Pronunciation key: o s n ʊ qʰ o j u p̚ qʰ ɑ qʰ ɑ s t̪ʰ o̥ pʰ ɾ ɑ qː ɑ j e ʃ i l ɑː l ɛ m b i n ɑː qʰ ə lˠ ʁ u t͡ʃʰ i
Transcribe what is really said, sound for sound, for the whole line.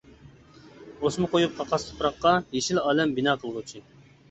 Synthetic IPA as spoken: o s m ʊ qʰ o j u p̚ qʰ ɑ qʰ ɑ s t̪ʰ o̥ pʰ ɾ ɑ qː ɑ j e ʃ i l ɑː l ɛ m b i n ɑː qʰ ə lˠ ʁ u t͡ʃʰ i